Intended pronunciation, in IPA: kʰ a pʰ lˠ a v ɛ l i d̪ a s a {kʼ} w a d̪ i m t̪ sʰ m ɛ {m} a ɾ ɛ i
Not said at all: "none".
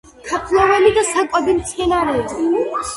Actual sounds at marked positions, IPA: kʼ, n

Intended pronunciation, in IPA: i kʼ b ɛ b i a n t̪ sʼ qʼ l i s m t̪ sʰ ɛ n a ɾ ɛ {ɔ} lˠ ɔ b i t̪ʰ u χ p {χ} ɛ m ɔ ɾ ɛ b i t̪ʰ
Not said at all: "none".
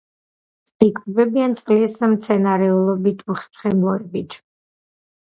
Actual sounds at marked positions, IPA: u, χ

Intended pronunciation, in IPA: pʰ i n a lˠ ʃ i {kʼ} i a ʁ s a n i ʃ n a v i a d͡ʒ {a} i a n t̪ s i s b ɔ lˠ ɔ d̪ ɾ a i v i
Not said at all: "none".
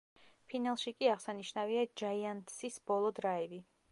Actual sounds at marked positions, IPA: kʼ, a

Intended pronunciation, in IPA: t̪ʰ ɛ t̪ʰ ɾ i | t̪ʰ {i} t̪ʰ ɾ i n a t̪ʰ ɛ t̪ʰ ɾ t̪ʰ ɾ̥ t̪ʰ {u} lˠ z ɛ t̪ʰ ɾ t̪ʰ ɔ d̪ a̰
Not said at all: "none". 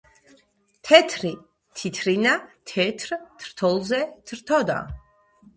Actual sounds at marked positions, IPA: i, ɔ

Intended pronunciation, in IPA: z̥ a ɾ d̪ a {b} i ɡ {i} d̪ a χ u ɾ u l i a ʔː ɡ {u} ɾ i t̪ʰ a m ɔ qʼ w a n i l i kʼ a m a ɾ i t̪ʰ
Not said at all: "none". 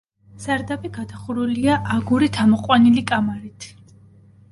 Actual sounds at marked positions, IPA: b, a, u

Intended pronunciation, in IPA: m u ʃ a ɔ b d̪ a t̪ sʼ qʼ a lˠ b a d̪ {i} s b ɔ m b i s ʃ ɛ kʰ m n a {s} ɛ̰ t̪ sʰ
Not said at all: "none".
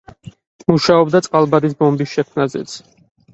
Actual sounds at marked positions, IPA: i, z

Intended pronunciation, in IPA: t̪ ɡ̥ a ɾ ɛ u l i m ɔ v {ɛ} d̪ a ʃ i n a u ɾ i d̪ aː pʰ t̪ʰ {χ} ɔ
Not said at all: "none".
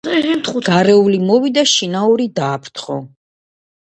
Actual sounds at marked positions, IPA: i, χ

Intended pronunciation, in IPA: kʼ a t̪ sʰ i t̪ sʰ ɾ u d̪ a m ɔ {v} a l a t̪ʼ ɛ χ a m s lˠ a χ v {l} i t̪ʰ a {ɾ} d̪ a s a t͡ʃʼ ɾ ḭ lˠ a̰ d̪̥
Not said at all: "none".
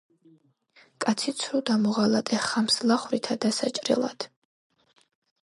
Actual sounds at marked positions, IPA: ʁ, ɾ, none

